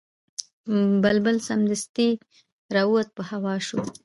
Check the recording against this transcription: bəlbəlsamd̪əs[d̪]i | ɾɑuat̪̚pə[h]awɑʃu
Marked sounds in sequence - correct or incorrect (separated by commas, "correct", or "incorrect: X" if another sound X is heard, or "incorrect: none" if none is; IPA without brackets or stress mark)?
incorrect: t̪, correct